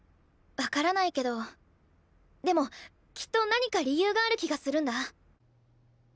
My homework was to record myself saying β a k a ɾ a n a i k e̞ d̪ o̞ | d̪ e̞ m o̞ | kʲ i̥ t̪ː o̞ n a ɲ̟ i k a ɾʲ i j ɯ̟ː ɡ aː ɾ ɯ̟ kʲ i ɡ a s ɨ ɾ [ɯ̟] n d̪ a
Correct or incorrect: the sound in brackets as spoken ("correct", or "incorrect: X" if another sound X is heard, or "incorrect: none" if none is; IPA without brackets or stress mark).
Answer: incorrect: ɯ̟̃